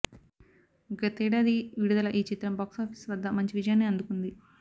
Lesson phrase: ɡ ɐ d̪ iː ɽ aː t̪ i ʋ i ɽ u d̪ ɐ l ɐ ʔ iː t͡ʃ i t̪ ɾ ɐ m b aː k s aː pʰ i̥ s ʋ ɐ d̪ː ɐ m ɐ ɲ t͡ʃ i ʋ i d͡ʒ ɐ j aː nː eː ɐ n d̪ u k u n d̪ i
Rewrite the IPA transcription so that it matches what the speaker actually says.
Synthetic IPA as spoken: ɡ ɐ t̪ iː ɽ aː d̪ i ʋ i ɽ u d̪ ɐ l ɐ ʔ iː t͡ʃ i t̪ ɾ ɐ m b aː k s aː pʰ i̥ s ʋ ɐ d̪ː ɐ m ɐ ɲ t͡ʃ i ʋ i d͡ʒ ɐ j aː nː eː ɐ n d̪ u k u n d̪ i